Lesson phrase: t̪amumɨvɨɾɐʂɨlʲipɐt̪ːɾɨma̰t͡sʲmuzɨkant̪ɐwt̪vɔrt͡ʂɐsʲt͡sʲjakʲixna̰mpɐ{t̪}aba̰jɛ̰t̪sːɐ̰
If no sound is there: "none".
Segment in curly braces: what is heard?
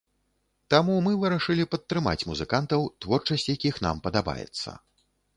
d̪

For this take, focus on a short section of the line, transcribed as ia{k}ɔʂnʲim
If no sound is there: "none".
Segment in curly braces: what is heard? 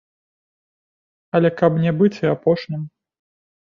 p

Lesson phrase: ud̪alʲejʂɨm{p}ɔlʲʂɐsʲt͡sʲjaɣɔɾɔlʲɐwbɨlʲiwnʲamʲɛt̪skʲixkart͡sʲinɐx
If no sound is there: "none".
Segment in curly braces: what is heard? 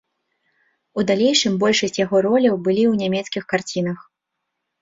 b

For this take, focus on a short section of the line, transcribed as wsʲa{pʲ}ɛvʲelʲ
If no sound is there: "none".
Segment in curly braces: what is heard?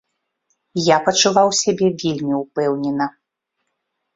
bʲ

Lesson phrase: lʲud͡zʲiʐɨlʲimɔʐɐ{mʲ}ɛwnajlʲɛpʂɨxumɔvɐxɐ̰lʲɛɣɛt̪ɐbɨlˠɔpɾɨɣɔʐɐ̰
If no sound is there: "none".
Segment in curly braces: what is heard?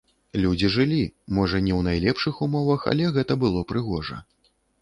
nʲ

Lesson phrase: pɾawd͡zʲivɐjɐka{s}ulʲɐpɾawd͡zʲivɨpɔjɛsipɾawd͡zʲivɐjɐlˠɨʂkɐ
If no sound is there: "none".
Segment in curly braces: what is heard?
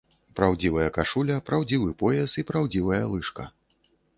ʂ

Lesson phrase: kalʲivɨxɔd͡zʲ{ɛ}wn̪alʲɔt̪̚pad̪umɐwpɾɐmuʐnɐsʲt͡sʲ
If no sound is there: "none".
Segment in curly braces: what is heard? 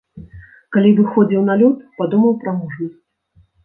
i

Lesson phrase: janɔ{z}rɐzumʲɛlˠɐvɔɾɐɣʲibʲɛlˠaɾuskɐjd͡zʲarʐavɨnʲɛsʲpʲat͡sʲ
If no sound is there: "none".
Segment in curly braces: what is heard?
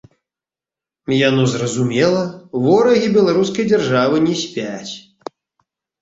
z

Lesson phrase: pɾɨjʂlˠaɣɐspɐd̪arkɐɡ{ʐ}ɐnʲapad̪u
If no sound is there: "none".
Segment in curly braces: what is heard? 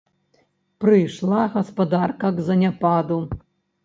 z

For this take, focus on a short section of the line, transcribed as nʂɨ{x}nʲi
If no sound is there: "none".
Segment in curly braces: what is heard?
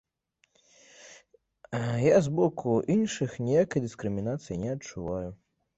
x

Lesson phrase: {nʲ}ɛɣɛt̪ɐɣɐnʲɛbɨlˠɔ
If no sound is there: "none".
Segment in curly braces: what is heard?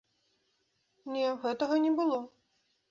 nʲ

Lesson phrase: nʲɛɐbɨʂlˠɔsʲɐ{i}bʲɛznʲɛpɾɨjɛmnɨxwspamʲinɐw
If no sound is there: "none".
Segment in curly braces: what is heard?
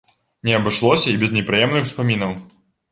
i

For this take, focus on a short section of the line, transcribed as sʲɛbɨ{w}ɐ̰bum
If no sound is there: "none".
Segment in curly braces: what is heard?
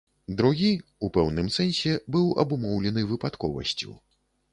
w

